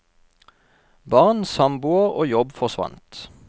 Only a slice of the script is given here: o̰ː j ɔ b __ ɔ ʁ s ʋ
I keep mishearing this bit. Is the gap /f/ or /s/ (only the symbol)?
f